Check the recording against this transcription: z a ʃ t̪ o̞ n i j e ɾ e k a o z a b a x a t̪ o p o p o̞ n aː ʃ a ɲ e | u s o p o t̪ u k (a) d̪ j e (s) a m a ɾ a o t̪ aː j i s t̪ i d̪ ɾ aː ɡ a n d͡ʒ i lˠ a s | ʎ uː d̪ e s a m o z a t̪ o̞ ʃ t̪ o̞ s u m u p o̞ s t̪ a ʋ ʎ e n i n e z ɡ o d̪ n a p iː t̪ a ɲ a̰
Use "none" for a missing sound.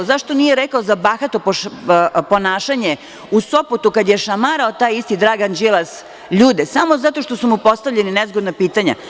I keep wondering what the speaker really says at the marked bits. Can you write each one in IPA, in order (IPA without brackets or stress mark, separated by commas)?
a, ʃ